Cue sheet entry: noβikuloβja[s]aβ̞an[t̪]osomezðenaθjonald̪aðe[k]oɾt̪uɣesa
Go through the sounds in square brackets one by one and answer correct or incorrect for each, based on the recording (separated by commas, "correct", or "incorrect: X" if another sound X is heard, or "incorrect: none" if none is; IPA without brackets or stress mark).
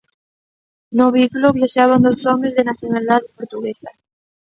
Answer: incorrect: ʃ, incorrect: d̪, incorrect: p